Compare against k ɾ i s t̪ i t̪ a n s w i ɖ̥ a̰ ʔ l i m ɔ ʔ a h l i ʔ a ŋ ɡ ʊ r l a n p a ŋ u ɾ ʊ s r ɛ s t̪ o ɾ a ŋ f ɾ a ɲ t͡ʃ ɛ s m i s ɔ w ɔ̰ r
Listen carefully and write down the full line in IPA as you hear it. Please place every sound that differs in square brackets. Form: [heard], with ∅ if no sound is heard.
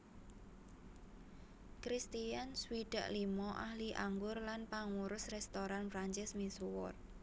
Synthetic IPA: k ɾ i s t̪ i [∅] a n s w i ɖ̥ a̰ ʔ l i m ɔ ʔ a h l i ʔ a ŋ ɡ ʊ r l a n p a ŋ u ɾ ʊ s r ɛ s t̪ o ɾ a [n] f ɾ a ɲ t͡ʃ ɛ s m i s [u] w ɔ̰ r